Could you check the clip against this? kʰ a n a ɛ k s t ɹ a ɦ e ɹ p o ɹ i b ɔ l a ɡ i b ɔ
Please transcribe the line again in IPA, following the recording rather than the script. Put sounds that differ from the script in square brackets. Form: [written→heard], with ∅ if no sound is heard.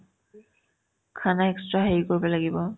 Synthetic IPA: kʰ a n a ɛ k s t ɹ a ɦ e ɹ [p→k] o ɹ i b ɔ l a ɡ i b ɔ